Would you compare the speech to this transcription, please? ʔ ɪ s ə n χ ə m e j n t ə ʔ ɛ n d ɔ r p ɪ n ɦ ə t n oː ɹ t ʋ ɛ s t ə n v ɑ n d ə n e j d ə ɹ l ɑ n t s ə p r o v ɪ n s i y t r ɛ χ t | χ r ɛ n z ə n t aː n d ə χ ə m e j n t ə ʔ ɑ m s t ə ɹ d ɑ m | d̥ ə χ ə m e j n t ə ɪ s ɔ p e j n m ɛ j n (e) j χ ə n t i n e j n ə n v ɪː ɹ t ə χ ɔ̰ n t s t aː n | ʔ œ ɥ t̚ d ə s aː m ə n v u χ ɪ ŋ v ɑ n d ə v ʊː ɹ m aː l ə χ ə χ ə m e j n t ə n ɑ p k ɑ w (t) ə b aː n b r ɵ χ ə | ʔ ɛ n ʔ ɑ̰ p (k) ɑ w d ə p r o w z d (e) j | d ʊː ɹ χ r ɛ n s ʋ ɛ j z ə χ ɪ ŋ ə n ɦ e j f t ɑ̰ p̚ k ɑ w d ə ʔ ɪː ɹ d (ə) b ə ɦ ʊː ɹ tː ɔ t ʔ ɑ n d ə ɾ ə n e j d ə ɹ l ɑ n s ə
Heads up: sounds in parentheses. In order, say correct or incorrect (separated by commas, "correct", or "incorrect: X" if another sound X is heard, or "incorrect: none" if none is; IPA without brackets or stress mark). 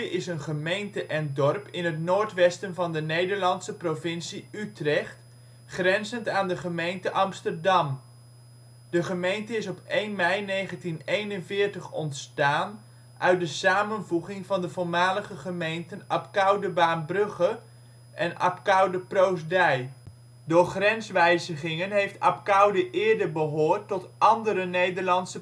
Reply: correct, incorrect: d, correct, incorrect: ɛ, correct